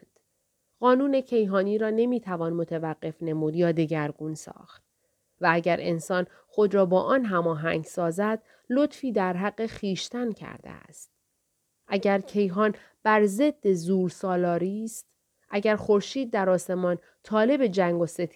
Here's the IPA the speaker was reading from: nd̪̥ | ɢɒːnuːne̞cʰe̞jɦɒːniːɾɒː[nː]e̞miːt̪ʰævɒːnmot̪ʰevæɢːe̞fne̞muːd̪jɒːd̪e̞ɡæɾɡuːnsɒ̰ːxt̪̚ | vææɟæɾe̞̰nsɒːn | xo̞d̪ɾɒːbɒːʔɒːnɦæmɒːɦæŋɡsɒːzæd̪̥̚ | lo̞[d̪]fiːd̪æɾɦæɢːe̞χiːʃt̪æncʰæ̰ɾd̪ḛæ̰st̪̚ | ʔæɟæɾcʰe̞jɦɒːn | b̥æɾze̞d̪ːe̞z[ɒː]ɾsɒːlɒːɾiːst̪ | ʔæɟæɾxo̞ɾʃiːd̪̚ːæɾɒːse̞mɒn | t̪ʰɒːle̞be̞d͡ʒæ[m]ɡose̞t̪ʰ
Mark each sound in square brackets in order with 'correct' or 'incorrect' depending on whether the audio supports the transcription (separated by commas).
incorrect, incorrect, incorrect, incorrect